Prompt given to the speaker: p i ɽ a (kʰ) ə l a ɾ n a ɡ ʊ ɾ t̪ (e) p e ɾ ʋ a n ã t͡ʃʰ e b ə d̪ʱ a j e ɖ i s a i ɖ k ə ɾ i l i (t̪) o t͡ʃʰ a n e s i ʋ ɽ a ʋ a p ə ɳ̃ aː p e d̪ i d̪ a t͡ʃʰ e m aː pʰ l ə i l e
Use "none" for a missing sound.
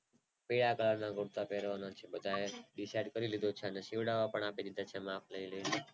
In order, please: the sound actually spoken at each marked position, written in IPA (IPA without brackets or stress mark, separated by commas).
k, a, d̪